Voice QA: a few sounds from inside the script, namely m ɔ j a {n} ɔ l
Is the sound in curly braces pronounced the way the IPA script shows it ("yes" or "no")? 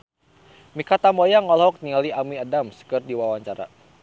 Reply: no